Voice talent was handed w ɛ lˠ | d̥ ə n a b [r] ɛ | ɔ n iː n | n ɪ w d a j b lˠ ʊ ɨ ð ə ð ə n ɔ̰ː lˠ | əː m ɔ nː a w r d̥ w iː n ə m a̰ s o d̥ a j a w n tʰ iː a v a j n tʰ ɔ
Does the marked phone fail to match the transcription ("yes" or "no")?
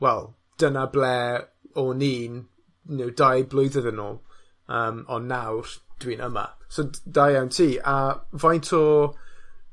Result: yes